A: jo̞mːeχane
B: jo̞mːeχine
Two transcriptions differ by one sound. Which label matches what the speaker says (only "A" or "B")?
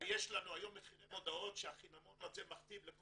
B